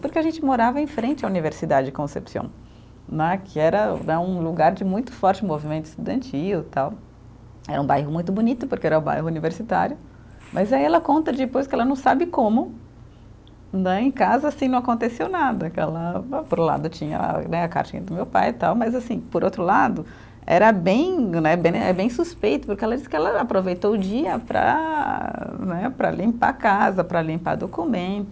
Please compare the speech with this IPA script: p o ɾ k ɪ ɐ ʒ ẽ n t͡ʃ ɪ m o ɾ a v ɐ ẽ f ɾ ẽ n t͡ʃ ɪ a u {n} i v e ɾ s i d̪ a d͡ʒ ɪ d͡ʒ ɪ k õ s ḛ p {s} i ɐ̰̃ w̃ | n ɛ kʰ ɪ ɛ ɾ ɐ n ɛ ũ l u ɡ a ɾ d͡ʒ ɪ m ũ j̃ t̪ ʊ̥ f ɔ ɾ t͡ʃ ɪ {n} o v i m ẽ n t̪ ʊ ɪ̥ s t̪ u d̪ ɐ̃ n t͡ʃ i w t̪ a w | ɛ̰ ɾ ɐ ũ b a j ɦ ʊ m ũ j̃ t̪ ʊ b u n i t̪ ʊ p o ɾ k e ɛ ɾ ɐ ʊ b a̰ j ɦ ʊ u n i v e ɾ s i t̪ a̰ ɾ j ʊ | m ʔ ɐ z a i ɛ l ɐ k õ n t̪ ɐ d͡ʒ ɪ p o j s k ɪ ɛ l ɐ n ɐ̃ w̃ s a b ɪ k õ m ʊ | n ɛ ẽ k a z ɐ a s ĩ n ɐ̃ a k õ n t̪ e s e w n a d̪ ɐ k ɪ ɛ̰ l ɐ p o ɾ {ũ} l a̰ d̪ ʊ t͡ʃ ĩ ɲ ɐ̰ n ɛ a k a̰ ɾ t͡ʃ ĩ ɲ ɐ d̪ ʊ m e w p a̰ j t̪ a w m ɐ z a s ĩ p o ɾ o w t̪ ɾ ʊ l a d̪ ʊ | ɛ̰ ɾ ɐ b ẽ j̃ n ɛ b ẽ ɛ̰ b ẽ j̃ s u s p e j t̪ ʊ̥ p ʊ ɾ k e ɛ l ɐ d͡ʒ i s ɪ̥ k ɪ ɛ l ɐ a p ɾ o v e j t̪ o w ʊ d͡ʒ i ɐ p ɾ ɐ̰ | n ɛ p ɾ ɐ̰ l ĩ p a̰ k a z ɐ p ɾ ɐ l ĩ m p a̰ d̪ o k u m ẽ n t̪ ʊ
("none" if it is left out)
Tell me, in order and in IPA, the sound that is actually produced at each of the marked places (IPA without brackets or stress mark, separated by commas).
n, s, m, ũ